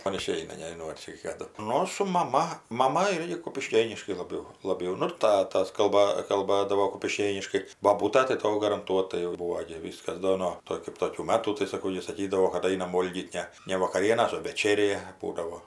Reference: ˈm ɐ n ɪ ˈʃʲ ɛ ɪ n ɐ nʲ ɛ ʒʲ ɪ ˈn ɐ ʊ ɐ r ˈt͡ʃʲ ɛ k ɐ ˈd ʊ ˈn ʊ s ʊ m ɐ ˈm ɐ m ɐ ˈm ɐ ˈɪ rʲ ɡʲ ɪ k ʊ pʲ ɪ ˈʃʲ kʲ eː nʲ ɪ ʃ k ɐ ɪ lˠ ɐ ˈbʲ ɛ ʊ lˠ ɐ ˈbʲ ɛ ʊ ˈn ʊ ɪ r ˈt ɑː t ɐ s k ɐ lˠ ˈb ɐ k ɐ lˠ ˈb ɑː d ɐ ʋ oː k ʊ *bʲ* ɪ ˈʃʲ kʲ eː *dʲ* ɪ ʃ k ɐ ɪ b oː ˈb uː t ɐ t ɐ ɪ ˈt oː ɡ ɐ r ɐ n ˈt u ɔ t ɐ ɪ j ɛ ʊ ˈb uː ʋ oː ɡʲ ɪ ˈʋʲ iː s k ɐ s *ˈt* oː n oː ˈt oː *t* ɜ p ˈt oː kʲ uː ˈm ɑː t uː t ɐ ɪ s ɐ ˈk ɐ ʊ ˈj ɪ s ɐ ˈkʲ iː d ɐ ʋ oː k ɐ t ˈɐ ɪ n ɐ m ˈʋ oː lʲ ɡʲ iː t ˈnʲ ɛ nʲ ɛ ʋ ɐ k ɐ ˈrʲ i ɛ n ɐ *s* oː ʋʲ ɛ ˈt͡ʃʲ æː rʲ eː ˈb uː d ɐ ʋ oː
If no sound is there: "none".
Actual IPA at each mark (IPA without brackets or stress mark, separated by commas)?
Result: pʲ, nʲ, d, k, s